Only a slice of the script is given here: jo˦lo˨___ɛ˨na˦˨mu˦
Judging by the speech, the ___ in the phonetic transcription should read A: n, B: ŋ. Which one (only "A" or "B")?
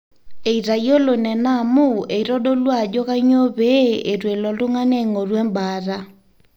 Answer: A